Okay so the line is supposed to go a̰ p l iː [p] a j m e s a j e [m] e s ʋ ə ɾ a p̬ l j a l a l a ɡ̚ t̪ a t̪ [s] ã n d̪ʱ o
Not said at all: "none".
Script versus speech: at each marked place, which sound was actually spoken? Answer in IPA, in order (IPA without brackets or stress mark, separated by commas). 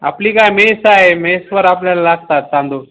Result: k, m, s